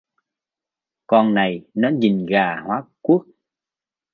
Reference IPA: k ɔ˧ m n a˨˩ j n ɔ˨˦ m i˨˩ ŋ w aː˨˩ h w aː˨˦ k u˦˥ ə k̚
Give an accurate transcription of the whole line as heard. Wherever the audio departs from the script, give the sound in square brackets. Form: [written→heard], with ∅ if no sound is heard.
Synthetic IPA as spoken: k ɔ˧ [m→n] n a˨˩ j n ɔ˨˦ [m→ɲ] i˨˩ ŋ [w→ɣ] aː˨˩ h w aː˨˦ k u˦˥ ə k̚